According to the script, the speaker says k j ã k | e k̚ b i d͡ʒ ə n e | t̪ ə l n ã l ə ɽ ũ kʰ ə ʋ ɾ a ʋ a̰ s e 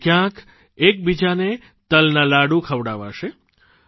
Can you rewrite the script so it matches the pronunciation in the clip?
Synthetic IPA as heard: k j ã k | e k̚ b i d͡ʒ a n e | t̪ ə l n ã l a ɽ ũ kʰ ə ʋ ɽ a ʋ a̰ ʃ e